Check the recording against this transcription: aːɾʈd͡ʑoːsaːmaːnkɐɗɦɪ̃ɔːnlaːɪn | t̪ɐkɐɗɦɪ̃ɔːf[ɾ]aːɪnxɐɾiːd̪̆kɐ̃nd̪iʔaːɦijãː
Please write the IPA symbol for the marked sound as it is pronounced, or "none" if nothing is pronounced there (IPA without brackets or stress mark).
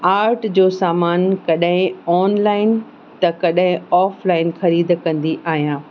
l